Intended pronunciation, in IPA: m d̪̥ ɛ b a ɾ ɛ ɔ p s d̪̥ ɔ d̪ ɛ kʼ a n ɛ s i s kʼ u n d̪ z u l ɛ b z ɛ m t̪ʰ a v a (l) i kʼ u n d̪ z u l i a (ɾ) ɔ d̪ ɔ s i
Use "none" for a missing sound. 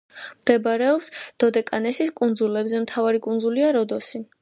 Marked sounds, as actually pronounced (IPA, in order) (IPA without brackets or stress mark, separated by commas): ɾ, ɾ